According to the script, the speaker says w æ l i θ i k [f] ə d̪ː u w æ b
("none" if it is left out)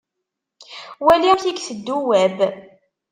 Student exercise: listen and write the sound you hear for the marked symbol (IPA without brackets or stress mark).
θ